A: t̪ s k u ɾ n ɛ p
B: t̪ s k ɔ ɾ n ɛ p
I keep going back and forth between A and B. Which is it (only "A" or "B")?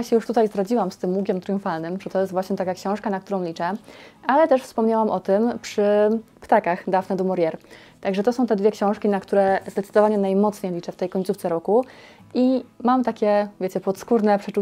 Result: A